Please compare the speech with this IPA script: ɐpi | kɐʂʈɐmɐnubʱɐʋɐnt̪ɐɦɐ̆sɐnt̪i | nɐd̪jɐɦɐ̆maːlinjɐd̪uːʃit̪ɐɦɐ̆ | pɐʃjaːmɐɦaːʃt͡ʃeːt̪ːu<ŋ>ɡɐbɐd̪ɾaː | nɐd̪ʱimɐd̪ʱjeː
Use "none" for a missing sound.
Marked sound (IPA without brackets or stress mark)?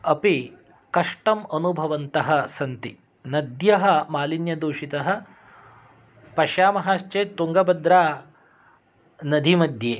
ŋ